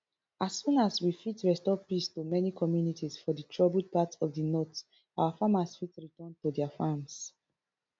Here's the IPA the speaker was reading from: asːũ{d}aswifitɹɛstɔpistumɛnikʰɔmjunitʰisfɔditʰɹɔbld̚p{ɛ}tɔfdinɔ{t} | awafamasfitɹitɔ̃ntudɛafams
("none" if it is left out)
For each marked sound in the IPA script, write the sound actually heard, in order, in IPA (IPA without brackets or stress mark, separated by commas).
n, a, t